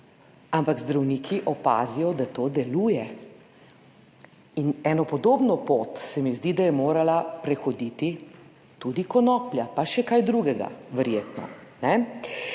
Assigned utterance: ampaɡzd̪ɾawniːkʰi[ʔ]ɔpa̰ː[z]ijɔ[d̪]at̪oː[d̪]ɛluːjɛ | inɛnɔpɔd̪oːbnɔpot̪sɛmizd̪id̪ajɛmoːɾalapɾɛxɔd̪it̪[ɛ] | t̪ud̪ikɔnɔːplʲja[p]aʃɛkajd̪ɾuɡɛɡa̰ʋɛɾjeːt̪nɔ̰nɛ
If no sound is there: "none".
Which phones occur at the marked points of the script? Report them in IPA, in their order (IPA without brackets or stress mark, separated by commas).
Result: ʔ, z, d̪, d̪, i, p